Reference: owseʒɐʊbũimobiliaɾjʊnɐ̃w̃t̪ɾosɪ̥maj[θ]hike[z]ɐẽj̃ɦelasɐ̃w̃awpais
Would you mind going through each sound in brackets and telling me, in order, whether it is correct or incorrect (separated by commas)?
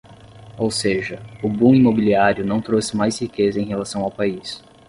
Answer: incorrect, correct